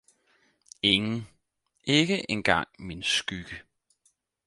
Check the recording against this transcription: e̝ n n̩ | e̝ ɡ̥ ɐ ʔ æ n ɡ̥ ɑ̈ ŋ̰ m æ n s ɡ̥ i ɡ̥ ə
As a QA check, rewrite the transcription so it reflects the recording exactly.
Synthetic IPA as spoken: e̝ ŋ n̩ | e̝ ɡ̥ ə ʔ e n ɡ̥ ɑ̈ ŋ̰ m i n s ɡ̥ y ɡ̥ ə